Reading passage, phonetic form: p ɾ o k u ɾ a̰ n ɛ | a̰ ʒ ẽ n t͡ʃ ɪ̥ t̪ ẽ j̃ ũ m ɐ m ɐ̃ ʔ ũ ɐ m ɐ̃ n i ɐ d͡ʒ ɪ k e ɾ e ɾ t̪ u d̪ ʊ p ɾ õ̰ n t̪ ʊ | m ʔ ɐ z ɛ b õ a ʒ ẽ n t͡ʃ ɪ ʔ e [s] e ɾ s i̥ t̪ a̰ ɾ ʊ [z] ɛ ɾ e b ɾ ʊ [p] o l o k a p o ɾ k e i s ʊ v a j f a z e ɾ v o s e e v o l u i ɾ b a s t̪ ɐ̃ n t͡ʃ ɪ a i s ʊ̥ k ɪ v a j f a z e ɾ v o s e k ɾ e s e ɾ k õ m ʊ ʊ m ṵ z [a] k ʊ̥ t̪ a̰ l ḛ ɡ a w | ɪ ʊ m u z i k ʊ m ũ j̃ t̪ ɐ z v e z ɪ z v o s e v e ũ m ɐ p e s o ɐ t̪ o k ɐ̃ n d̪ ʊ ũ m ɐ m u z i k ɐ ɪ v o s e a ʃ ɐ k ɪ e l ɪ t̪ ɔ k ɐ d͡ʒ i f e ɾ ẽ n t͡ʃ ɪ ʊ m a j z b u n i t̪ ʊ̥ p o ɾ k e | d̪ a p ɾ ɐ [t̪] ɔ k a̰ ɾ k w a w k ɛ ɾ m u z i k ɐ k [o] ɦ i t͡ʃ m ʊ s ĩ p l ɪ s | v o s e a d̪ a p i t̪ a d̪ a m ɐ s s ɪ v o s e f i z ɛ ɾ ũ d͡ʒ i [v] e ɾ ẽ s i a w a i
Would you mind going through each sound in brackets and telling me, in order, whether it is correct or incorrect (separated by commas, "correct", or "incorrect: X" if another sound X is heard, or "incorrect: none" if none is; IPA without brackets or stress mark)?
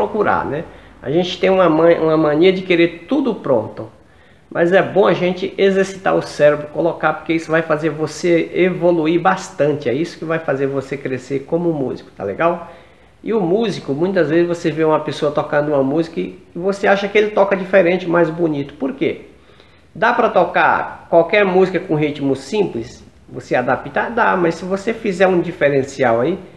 incorrect: z, incorrect: s, incorrect: k, incorrect: i, correct, incorrect: õ, incorrect: f